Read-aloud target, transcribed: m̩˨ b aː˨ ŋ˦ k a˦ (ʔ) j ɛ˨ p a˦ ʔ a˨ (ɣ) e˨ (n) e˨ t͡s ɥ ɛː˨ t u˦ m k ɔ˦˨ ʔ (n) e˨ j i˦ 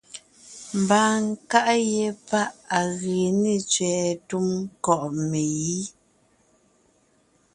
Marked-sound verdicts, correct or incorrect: correct, correct, correct, incorrect

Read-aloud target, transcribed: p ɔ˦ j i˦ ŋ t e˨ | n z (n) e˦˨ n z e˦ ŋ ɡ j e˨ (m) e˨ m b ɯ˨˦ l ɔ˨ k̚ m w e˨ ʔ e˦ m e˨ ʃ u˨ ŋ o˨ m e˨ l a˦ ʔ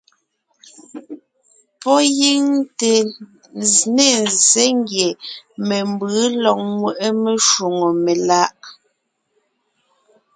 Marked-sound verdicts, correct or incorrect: correct, correct

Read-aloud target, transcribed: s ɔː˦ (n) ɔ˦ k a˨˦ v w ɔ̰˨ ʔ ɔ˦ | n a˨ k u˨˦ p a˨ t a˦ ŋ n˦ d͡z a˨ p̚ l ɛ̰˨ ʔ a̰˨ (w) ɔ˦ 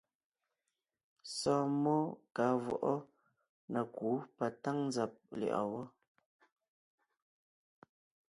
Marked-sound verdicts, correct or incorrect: incorrect, correct

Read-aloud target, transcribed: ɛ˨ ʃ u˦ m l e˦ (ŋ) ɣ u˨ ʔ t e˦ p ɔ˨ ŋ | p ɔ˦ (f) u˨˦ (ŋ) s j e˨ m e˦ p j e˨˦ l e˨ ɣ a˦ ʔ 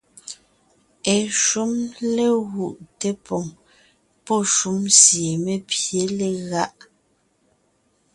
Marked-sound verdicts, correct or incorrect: incorrect, incorrect, incorrect

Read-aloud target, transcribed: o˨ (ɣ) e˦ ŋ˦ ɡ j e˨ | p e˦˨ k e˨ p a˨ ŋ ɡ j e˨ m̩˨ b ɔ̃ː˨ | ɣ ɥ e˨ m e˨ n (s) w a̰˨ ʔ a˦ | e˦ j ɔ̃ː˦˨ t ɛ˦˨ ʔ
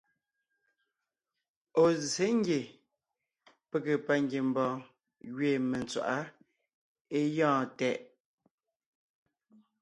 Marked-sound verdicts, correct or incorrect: incorrect, incorrect

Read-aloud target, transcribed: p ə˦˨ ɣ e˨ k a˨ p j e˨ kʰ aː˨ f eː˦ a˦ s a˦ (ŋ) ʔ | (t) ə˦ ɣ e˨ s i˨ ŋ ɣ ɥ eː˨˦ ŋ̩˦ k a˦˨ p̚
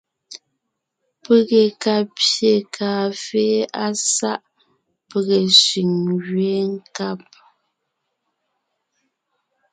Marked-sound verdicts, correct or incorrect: incorrect, incorrect

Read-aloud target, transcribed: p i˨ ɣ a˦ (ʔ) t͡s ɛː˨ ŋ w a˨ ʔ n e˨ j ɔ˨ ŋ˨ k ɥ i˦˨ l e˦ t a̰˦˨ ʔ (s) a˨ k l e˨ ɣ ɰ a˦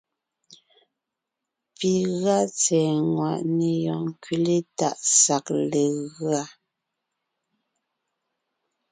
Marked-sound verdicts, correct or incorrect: incorrect, correct

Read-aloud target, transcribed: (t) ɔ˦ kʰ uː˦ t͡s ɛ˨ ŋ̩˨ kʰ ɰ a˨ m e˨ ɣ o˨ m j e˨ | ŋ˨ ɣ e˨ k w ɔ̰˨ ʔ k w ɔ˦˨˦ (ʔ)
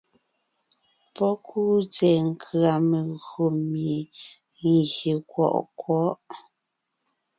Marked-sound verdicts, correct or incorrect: incorrect, correct

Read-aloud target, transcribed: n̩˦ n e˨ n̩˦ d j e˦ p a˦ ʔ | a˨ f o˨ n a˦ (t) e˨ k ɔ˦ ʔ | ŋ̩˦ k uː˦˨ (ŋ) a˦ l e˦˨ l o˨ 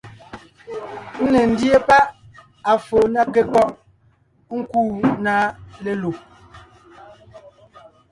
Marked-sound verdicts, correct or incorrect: incorrect, incorrect

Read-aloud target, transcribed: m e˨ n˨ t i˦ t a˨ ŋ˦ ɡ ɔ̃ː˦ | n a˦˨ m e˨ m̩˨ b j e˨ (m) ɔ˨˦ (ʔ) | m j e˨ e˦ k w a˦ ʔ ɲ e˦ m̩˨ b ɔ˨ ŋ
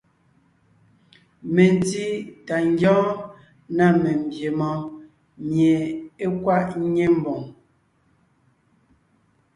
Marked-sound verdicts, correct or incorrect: correct, incorrect

